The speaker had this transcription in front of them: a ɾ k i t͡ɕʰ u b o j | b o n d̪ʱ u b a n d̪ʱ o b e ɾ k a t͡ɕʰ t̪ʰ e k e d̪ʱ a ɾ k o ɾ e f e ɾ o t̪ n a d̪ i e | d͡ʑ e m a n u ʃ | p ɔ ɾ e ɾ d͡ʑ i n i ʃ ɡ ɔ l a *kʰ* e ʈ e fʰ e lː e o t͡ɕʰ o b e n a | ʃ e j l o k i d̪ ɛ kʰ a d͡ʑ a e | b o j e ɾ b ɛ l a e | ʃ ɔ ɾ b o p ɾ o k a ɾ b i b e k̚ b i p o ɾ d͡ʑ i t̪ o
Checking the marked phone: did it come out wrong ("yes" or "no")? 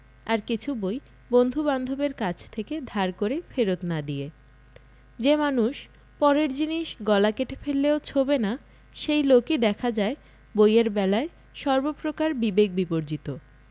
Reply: yes